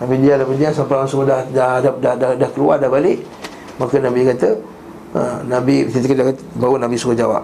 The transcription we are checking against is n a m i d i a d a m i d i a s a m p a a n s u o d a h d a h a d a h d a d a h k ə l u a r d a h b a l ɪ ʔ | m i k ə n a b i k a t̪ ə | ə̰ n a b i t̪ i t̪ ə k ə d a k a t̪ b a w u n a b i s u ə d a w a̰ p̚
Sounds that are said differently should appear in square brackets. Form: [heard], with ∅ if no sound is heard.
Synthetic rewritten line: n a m i d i a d a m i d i a s a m p a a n s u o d a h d a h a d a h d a d a h k ə l u a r d a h b a l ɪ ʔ | m [a] k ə n a b i k a t̪ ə | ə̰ n a b i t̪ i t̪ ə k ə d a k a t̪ b a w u n a b i s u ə [d͡ʒ] a w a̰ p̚